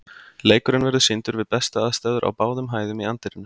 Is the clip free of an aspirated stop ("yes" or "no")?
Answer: yes